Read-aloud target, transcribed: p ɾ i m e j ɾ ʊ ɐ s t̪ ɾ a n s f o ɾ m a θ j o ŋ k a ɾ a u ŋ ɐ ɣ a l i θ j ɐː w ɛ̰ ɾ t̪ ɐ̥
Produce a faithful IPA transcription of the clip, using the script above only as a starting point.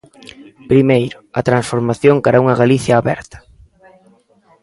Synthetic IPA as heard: p ɾ i m e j ɾ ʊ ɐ t̪ ɾ a n s f o ɾ m a θ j o ŋ k a ɾ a u ŋ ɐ ɣ a l i θ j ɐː β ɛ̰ ɾ t̪ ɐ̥